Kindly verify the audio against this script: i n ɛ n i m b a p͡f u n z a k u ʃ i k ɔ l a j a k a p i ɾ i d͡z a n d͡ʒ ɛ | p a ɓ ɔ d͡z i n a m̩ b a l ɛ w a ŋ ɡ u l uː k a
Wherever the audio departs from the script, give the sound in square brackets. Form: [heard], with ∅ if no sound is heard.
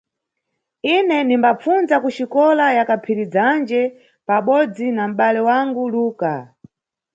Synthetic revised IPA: i n ɛ n i m b a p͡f u n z a k u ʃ i k ɔ l a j a k a [pʰ] i ɾ i d͡z a n d͡ʒ ɛ | p a ɓ ɔ d͡z i n a m̩ [ɓ] a l ɛ w a ŋ ɡ u l uː k a